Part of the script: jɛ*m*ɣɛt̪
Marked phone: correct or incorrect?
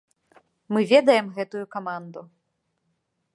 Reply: correct